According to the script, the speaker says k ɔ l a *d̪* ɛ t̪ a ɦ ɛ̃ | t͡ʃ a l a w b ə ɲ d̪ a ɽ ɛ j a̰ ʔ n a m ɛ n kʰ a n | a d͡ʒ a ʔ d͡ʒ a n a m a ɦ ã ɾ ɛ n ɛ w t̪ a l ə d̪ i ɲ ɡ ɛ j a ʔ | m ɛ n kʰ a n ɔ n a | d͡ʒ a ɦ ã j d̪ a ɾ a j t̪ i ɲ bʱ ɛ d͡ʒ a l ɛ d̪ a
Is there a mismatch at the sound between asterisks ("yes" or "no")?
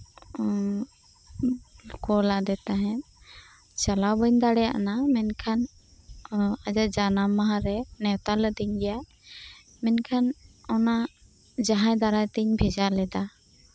no